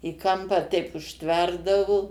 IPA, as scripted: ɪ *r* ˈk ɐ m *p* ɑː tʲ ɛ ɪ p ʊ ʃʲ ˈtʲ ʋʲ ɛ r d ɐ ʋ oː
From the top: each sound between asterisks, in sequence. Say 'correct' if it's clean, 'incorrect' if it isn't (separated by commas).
incorrect, correct